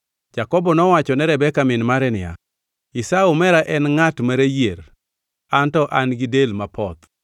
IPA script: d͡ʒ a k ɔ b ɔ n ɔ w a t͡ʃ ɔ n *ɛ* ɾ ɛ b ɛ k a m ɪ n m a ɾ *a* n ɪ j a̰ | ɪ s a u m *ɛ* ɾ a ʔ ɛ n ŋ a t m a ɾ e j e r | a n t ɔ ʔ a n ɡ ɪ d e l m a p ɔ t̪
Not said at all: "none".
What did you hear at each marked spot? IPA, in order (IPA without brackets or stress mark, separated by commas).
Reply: ɛ, ɛ, ɛ